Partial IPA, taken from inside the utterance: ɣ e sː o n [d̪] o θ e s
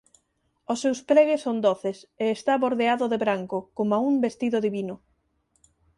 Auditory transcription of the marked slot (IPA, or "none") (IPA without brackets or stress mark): d̪